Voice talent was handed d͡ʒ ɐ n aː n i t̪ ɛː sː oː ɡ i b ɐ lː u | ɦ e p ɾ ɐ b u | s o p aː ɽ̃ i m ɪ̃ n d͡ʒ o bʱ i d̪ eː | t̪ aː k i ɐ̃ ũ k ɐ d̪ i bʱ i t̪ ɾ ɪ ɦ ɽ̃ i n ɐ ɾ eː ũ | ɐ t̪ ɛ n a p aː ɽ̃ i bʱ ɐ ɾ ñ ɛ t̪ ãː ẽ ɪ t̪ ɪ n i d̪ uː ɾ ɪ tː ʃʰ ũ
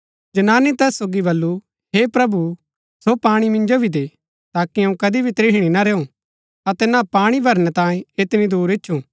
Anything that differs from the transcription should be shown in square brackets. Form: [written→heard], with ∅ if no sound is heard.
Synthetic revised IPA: d͡ʒ ɐ n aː n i t̪ ɛː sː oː ɡ i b ɐ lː u | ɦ e p ɾ ɐ b u | s o p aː ɽ̃ i m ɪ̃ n d͡ʒ o bʱ i d̪ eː | t̪ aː k i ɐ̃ ũ k ɐ d̪ i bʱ i t̪ ɾ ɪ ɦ ɽ̃ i n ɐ ɾ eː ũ | ɐ t̪ ɛ n a p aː ɽ̃ i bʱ ɐ ɾ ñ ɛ t̪ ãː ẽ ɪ t̪ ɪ n i d̪ uː ɾ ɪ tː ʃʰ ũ